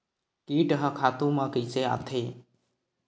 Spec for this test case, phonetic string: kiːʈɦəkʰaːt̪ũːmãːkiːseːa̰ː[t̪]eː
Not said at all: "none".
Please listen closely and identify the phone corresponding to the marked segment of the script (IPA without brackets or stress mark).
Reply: t̪ʰ